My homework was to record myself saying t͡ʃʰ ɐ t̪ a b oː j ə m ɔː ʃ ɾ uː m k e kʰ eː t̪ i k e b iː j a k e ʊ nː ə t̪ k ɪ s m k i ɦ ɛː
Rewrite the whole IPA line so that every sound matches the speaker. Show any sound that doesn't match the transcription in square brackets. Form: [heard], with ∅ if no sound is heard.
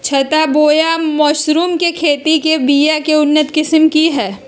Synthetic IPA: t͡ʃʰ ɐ t̪ a b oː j [a] m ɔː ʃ ɾ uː m k e kʰ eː t̪ i k e b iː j a k e ʊ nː ə t̪ k ɪ s m k i ɦ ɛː